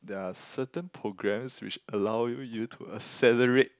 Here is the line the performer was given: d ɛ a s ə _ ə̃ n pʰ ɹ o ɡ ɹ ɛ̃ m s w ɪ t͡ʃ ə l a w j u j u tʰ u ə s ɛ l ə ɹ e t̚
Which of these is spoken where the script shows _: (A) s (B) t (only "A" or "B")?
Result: B